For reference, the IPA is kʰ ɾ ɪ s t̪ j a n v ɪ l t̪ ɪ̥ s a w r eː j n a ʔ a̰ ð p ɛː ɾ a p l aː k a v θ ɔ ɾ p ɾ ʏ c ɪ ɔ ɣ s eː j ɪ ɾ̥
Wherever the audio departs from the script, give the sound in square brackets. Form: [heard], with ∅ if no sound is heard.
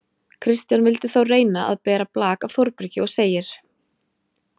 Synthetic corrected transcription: kʰ ɾ ɪ s t̪ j a n v ɪ l t̪ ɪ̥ [θ] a w r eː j n a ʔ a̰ ð p ɛː ɾ a p l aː k a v θ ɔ ɾ p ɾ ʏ c ɪ ɔ ɣ s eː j ɪ ɾ̥